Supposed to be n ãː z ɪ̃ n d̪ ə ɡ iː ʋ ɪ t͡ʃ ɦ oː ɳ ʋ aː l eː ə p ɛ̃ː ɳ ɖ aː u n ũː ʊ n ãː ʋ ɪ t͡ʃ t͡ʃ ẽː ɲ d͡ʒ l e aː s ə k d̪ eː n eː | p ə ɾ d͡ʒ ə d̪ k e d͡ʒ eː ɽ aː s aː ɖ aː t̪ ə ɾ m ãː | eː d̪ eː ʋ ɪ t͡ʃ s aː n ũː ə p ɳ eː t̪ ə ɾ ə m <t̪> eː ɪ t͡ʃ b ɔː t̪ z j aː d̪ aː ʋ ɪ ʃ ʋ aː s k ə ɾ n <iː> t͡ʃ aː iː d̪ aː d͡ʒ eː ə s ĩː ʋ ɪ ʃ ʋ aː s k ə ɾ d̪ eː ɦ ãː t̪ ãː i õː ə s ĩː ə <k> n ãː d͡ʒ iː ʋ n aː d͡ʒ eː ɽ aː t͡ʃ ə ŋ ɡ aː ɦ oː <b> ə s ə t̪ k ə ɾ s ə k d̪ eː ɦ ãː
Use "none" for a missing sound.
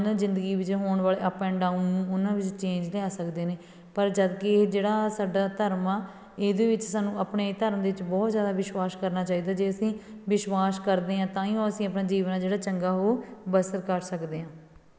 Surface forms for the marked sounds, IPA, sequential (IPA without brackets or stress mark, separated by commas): d̪, aː, p, b